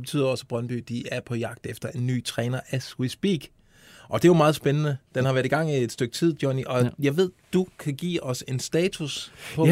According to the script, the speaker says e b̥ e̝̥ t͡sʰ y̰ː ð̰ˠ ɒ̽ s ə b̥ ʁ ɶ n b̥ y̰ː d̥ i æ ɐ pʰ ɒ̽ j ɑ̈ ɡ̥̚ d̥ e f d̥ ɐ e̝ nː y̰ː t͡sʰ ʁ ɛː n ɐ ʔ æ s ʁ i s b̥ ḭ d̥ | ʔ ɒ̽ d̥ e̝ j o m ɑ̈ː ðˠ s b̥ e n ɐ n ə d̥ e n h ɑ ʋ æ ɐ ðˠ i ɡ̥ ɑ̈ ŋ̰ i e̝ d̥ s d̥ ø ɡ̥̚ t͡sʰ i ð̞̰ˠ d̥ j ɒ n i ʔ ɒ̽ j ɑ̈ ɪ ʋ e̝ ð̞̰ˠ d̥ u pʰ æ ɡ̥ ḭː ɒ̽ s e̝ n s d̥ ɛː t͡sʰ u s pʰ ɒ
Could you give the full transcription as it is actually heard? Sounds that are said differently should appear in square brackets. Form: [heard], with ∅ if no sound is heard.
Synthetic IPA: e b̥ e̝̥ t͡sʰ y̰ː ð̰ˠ ɒ̽ s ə b̥ ʁ ɶ n b̥ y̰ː d̥ i æ ɐ pʰ ɒ̽ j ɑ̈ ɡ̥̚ d̥ e f d̥ ɐ e̝ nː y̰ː t͡sʰ ʁ ɛː n ɐ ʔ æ s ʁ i s b̥ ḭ [ɡ̥] | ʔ ɒ̽ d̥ e̝ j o m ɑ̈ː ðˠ s b̥ e n [ə] n ə d̥ e n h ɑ ʋ æ ɐ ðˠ i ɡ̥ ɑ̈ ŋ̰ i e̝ d̥ s d̥ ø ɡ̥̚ t͡sʰ i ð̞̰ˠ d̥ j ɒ n i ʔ ɒ̽ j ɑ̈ ɪ ʋ e̝ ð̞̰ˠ d̥ u [kʰ] æ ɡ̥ ḭː ɒ̽ s e̝ n s d̥ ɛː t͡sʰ u s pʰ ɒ